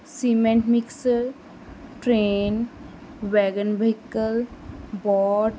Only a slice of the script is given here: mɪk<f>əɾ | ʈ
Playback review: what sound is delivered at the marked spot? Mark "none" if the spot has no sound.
s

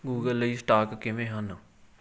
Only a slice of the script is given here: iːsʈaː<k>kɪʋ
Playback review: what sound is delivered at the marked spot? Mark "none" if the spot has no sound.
k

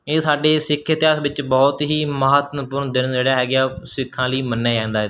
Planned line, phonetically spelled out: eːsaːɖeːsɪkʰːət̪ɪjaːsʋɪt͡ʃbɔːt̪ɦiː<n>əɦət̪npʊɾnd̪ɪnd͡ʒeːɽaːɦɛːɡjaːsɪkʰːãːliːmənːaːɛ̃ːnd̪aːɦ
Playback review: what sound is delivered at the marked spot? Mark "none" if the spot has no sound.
m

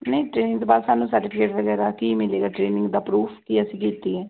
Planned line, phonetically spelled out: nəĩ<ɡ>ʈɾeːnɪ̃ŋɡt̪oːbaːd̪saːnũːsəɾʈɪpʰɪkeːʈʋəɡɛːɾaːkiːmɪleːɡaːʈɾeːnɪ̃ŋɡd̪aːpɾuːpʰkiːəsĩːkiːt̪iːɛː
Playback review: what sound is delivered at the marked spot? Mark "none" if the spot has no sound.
none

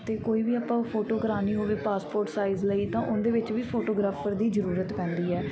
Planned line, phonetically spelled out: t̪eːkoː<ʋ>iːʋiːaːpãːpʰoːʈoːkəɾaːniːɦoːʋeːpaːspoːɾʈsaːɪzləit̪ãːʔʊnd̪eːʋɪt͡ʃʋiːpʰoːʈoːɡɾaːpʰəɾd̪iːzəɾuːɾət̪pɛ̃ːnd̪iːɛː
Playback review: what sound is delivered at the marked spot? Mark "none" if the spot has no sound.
none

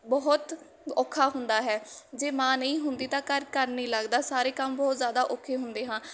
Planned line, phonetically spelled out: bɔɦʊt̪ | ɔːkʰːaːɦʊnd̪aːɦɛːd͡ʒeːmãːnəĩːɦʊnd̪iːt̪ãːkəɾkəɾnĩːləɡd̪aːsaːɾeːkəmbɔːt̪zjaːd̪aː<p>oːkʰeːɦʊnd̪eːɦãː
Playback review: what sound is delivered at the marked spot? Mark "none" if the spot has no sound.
ʔ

